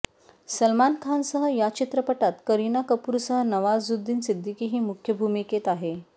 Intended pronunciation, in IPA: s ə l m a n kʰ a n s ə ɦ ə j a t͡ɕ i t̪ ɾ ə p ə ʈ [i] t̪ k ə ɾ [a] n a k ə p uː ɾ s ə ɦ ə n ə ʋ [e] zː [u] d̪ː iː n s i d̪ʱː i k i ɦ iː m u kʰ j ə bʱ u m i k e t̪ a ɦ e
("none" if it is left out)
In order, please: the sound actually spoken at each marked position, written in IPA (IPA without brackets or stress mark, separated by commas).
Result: a, i, a, u